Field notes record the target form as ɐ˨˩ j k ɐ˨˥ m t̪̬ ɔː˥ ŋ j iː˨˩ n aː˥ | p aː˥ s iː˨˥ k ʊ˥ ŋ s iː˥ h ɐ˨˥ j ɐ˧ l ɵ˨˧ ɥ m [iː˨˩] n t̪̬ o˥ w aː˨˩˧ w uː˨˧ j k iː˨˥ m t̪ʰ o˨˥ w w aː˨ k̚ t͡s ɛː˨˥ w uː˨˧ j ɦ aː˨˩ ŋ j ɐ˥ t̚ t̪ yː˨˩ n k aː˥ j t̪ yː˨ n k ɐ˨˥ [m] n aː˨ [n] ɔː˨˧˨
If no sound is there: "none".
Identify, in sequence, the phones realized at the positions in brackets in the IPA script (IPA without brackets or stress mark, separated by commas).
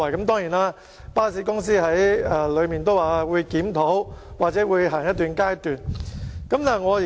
iː˨˩, m, ŋ